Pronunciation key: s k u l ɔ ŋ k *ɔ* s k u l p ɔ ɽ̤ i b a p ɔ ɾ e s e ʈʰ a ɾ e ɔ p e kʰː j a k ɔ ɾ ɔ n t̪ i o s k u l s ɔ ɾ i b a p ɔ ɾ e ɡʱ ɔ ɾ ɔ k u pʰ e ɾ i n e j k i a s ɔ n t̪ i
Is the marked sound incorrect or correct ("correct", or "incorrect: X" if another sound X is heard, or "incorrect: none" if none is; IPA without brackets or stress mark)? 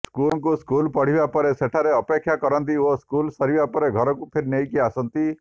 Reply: incorrect: u